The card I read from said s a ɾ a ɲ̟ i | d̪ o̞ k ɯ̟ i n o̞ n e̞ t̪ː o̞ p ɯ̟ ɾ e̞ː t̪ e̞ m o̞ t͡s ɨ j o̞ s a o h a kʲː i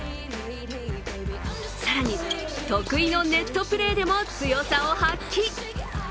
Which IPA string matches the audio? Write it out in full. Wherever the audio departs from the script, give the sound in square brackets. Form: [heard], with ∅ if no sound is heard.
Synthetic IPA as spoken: s a ɾ a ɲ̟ i | [t̪] o̞ k ɯ̟ i n o̞ n e̞ t̪ː o̞ p ɯ̟ ɾ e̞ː [d̪] e̞ m o̞ t͡s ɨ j o̞ s a o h a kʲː i